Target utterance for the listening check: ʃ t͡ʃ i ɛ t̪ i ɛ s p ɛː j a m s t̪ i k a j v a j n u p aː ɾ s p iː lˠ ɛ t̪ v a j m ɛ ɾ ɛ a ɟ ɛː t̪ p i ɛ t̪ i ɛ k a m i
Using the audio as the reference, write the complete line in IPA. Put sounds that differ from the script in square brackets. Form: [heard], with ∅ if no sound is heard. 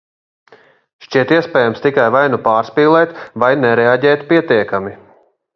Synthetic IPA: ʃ t͡ʃ i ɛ t̪ i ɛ s p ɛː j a m s t̪ i k a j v a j n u p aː ɾ s p iː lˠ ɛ t̪ v a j [n] ɛ ɾ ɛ a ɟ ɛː t̪ p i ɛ t̪ i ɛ k a m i